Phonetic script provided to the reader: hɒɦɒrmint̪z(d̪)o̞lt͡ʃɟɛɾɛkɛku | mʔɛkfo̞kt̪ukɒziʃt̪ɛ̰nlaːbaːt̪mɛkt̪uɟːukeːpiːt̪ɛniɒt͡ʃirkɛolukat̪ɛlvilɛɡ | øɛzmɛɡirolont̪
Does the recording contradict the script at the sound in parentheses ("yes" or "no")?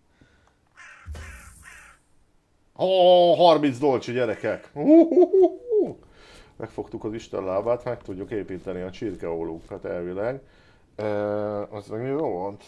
no